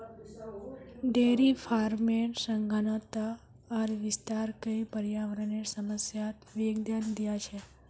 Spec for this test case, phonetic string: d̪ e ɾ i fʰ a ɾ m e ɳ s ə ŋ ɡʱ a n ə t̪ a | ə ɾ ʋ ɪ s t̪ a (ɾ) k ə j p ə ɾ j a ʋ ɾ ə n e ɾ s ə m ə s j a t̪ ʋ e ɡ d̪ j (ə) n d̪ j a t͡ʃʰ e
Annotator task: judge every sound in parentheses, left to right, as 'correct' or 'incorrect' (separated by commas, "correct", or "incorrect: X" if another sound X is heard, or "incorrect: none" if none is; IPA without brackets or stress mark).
correct, incorrect: a